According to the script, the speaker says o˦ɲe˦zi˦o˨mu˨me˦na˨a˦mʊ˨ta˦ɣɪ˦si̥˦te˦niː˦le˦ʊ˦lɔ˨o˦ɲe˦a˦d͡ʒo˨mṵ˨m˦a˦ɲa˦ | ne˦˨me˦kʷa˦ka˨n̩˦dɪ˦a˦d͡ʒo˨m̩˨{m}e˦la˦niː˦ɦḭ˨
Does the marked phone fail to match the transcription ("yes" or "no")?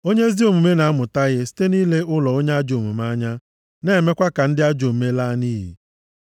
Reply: no